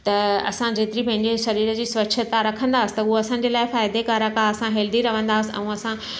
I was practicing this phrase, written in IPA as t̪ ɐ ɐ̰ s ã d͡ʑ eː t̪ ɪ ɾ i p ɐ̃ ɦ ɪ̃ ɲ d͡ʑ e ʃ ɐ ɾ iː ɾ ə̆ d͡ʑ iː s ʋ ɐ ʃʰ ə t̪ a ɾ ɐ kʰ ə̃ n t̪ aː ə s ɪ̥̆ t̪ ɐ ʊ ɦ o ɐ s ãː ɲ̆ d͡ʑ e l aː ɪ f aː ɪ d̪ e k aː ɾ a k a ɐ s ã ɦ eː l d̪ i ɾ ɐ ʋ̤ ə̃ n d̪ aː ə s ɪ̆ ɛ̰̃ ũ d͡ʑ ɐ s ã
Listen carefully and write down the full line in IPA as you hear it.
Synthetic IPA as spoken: t̪ ɐ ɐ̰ s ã d͡ʑ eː t̪ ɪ ɾ i p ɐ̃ ɦ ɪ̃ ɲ d͡ʑ e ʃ ɐ ɾ iː ɾ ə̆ d͡ʑ iː s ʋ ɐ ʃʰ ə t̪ a ɾ ɐ kʰ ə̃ n d̪ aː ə s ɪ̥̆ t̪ ɐ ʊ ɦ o ɐ s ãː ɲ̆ d͡ʑ e l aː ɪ f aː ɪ d̪ e k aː ɾ a k a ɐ s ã ɦ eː l d̪ i ɾ ɐ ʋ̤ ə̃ n d̪ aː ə s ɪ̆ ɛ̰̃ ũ ɐ s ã